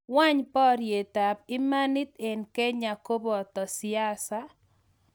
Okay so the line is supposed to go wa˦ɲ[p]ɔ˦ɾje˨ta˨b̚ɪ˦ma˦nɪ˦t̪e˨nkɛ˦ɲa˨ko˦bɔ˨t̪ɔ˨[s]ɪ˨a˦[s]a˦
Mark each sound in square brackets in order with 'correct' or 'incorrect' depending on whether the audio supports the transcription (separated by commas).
correct, correct, correct